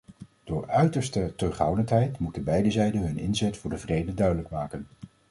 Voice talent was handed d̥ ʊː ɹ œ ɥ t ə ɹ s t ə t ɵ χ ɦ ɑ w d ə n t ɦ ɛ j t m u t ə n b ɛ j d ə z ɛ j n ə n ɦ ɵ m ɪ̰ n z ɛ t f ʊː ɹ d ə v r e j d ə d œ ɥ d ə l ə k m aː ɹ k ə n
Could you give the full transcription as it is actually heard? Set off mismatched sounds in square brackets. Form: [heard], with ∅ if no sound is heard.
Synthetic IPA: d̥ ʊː ɹ œ ɥ t ə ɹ s t ə t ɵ χ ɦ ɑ w d ə n t ɦ ɛ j t m u t ə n b ɛ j d ə z ɛ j [d] ə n ɦ ɵ [n] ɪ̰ n z ɛ t f ʊː ɹ d ə v r e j d ə d œ ɥ d ə l ə k m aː [∅] k ə n